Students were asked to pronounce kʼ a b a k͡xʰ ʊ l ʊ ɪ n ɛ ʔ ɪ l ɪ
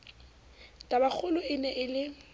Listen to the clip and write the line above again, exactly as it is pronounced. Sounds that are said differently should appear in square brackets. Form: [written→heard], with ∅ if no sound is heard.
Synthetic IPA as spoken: [kʼ→tʼ] a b a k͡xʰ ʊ l ʊ ɪ n ɛ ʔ ɪ l ɪ